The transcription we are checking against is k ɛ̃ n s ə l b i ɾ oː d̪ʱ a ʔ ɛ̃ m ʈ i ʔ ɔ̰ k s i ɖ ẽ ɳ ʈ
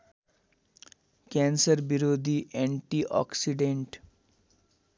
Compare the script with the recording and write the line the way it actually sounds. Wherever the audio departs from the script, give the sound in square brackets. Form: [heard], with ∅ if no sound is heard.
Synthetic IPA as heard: k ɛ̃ n s ə [ɾ] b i ɾ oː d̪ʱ [i] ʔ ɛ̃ [ɳ] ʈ i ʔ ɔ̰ k s i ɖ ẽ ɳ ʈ